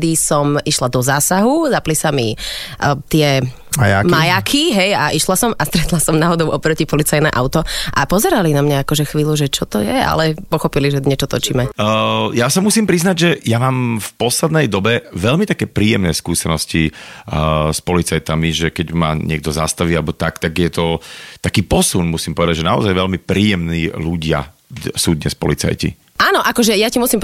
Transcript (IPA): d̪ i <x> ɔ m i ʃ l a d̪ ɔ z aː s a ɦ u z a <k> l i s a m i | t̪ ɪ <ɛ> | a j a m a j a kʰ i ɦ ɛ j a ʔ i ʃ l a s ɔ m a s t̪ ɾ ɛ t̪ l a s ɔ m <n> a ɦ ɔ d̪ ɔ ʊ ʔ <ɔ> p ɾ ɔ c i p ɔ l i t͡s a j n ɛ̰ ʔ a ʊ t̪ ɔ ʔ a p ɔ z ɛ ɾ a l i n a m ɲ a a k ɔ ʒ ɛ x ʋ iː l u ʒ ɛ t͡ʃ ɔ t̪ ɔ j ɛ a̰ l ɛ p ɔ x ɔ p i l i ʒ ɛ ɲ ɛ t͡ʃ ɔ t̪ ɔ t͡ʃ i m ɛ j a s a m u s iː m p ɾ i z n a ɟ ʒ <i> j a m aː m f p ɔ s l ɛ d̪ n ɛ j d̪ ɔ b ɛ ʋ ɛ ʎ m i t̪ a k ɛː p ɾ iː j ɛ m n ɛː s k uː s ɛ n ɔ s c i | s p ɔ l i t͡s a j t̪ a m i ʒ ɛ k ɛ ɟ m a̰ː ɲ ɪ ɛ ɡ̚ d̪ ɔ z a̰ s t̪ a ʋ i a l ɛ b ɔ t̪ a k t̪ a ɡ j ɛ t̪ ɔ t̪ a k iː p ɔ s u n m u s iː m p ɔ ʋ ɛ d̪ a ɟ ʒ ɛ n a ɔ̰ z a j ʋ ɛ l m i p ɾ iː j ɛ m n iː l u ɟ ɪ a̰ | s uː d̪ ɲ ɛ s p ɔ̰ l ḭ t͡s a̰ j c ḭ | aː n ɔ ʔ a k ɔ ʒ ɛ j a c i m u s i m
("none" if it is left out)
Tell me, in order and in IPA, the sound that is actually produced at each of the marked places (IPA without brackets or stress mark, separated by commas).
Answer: s, p, ɛ, n, ɔ, ɛ